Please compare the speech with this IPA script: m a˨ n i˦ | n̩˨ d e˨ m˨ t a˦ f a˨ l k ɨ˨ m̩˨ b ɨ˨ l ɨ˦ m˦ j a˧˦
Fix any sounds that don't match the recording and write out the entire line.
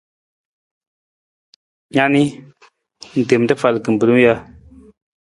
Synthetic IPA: ɲ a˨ n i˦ | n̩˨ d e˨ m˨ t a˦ f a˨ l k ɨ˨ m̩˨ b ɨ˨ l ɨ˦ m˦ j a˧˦